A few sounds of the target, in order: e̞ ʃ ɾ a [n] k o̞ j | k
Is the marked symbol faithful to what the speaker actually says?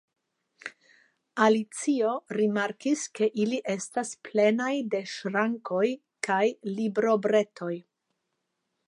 no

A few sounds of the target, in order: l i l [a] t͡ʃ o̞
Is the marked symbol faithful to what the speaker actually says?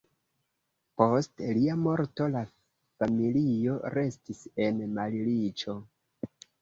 no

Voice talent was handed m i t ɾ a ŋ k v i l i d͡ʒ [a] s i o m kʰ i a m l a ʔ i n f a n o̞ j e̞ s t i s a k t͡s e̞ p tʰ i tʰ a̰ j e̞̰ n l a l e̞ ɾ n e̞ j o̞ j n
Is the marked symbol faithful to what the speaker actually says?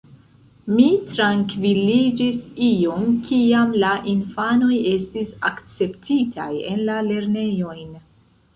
no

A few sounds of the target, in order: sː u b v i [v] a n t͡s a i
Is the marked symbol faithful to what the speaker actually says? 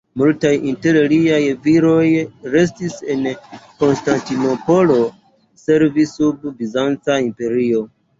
no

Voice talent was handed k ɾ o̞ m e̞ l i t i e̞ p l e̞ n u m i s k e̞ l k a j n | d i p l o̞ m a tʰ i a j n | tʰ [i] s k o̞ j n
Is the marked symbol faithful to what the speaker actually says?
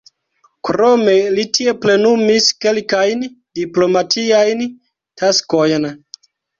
no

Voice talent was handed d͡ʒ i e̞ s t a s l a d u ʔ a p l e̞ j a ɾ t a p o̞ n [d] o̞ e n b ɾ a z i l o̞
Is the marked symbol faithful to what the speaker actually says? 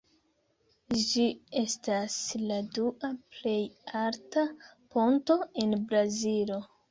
no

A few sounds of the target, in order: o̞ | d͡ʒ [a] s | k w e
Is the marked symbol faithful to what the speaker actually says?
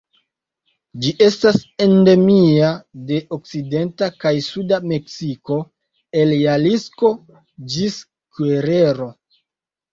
no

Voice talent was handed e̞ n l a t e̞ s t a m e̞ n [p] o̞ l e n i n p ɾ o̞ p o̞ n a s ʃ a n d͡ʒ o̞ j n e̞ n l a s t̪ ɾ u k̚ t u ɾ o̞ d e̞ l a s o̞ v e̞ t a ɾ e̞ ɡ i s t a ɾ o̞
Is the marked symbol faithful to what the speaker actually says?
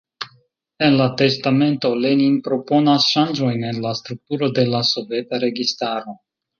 no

